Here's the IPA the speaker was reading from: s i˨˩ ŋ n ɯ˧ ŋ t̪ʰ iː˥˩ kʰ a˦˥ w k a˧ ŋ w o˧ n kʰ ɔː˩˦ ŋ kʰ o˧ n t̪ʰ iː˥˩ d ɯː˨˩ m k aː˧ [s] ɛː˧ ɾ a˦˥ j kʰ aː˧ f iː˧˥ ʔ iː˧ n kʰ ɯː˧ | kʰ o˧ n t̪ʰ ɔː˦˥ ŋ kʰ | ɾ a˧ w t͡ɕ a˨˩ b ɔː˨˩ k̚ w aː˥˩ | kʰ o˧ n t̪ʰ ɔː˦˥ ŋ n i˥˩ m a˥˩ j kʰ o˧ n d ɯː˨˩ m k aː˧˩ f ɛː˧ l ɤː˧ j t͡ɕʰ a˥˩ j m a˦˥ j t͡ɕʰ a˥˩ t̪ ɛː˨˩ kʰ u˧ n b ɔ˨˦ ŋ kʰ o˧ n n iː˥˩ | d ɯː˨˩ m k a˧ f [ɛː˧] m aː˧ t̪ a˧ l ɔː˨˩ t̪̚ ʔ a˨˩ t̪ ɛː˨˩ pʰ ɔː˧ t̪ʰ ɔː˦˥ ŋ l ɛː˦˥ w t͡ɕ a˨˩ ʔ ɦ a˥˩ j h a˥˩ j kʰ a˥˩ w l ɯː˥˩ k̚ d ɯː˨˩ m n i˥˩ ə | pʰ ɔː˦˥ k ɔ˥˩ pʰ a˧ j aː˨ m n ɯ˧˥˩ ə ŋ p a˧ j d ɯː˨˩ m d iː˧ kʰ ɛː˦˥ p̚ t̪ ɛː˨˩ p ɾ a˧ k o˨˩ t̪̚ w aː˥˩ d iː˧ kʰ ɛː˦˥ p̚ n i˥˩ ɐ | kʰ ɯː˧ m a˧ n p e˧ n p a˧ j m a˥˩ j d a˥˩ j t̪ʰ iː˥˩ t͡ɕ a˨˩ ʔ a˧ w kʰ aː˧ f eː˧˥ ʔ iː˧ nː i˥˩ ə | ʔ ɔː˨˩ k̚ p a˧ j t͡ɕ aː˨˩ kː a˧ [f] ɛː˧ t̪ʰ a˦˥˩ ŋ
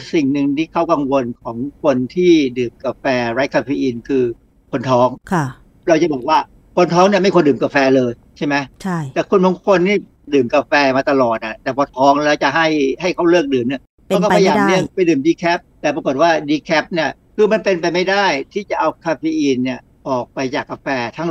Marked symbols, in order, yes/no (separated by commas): no, yes, yes